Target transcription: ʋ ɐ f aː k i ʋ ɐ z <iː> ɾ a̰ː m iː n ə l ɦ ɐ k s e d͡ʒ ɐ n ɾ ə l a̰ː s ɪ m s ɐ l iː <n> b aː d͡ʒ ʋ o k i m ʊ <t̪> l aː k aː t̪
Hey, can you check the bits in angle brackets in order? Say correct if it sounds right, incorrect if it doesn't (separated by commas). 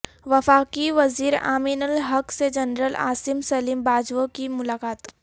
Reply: correct, incorrect, incorrect